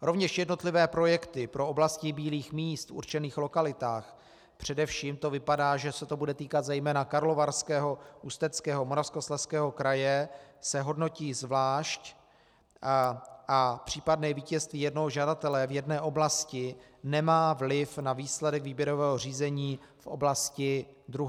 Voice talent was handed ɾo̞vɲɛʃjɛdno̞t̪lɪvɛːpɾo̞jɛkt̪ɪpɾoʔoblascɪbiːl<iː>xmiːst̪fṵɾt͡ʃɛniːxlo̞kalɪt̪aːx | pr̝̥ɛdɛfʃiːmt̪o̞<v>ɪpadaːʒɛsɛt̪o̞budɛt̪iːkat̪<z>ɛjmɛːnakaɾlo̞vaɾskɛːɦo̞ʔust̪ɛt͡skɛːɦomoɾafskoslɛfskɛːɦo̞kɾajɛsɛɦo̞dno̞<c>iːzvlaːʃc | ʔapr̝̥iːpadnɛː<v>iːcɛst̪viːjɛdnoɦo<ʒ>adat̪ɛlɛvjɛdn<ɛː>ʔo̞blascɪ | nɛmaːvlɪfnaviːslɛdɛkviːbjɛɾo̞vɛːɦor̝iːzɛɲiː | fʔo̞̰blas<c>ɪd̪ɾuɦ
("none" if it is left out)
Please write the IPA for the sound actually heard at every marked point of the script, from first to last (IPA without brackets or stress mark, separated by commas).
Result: iː, v, z, c, v, ʒ, ɛː, c